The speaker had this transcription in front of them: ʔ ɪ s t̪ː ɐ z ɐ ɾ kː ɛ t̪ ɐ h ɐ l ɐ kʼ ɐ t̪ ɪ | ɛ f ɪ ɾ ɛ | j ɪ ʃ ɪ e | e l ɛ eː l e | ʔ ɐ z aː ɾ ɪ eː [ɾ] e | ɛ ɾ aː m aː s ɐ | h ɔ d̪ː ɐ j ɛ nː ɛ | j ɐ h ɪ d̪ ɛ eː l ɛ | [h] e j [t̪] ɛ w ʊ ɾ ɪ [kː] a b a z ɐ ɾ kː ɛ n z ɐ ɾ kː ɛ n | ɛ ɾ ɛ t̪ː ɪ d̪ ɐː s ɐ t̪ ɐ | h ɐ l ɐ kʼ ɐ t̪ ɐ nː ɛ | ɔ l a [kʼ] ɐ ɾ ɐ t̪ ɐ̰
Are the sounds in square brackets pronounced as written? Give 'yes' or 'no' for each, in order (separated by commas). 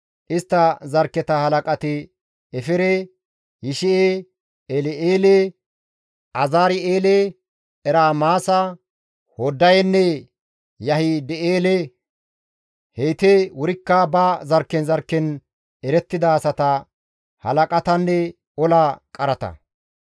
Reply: no, yes, yes, yes, yes